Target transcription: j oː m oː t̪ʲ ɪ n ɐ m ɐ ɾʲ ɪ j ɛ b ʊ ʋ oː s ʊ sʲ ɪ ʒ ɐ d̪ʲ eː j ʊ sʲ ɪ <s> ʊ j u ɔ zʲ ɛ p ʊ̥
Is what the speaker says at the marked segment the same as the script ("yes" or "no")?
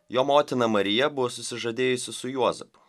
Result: yes